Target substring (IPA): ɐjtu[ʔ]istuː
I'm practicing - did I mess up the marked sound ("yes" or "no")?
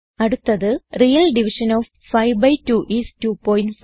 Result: no